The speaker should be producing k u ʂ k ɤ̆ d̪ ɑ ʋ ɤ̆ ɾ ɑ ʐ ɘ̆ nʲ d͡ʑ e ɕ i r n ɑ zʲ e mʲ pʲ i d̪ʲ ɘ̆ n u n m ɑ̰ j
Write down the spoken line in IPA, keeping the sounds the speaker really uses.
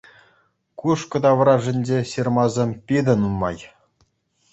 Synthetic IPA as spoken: k u ʂ k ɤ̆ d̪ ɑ ʋ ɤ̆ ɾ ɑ ʐ ɘ̆ nʲ d͡ʑ e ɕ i r m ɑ zʲ e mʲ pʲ i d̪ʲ ɘ̆ n u n m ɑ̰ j